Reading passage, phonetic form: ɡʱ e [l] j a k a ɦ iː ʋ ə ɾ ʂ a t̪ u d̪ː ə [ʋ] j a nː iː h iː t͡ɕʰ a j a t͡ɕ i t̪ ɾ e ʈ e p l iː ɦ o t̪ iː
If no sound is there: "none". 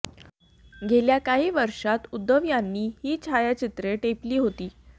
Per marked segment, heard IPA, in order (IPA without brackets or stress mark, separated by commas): l, ʋ